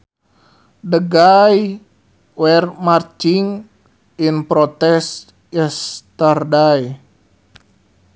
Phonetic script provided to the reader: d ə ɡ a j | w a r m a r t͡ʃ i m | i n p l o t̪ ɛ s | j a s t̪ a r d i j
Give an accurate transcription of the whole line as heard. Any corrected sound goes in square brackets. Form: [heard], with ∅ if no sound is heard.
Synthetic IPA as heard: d ə ɡ a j | w [ɛ] r m a r t͡ʃ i [ŋ] | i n p [ɾ] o t̪ ɛ s | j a s t̪ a r d [a] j